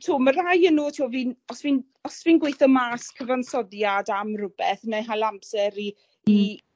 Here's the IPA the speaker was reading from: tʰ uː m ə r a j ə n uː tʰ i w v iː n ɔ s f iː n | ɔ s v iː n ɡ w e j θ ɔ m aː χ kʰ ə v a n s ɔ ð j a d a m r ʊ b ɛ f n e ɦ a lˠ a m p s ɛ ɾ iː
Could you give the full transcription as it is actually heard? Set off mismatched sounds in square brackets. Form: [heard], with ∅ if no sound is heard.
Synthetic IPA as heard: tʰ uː m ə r a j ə n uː tʰ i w v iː n ɔ s [v] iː n | ɔ s v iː n ɡ w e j θ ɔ m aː [s] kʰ ə v a n s ɔ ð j a d a m r ʊ b ɛ [θ] n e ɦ a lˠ a m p s ɛ ɾ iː